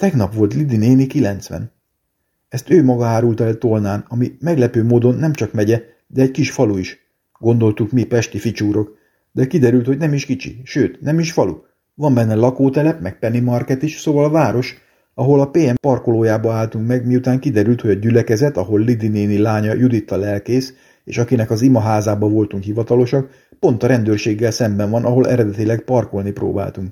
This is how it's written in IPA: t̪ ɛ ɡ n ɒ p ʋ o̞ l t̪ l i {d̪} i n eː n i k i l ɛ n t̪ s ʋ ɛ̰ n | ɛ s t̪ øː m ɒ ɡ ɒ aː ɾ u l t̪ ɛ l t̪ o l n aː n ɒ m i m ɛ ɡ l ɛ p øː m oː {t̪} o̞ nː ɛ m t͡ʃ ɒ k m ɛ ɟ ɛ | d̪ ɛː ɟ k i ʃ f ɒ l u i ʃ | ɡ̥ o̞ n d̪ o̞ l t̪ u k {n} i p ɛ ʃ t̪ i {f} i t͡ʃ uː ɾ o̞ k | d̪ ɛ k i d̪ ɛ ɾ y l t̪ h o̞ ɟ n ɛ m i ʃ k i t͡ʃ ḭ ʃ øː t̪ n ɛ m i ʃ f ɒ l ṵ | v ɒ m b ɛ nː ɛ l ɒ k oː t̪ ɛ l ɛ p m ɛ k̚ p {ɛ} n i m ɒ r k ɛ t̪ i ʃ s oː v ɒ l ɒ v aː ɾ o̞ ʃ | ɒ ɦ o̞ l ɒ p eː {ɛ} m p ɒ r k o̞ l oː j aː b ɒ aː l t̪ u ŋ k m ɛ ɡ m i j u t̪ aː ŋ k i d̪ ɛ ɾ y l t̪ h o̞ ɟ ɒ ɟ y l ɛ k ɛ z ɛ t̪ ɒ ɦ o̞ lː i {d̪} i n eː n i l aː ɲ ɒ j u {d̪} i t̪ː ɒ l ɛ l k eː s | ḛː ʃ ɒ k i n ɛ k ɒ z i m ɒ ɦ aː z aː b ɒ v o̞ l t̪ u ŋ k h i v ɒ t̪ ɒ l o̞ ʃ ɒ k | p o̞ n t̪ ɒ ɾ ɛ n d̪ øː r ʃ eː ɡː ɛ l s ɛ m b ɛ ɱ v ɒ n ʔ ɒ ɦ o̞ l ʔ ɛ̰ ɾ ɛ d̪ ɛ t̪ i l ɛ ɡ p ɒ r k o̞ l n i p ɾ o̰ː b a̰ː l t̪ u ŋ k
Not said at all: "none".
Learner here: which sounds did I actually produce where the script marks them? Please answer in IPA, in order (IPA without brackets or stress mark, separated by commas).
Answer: d̪, d̪, m, f, ɛ, ɛ, d̪, d̪